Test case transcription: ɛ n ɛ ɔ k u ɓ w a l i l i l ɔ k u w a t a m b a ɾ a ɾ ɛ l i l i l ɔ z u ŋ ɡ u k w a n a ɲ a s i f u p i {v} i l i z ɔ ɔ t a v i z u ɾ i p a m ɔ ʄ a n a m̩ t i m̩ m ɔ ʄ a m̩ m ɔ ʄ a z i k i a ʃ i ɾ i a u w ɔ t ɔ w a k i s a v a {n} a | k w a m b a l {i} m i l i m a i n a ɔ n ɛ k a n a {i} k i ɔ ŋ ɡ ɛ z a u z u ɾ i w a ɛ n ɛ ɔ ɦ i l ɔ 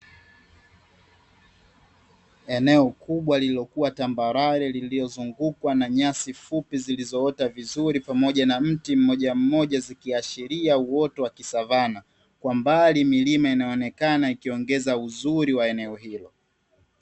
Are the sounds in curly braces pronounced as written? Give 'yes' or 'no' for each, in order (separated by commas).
no, yes, yes, yes